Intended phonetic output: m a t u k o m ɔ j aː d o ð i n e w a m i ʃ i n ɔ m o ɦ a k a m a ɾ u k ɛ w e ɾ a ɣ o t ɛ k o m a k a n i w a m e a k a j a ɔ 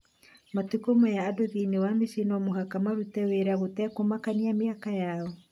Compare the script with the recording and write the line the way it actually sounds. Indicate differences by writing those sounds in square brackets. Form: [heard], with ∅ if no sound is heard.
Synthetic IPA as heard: m a t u k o m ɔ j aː d o ð i n e w a m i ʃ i n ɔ m o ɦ a k a m a ɾ u [t] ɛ w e ɾ a ɣ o t ɛ k o m a k a n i [∅] a m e a k a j a ɔ